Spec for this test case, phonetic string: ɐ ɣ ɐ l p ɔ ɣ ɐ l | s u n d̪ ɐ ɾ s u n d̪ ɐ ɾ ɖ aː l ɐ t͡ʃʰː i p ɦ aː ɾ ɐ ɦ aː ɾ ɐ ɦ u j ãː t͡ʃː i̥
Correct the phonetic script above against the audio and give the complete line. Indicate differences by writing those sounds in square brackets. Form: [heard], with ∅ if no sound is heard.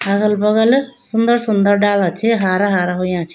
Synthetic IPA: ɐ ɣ ɐ l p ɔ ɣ ɐ l | s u n d̪ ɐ ɾ s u n d̪ ɐ ɾ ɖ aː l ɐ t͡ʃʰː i [∅] ɦ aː ɾ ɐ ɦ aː ɾ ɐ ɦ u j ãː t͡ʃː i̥